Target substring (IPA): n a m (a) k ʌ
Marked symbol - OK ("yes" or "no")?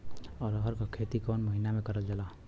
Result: no